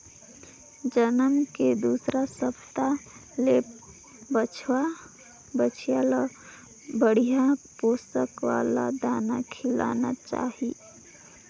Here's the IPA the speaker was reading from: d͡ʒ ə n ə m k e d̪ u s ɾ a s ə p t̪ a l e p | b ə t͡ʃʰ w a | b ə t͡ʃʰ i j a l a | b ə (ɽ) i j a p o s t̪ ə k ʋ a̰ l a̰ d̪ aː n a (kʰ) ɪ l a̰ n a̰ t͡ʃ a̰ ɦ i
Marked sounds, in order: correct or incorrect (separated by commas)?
correct, correct